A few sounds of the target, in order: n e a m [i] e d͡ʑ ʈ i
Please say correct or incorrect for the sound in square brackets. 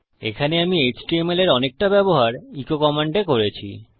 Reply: correct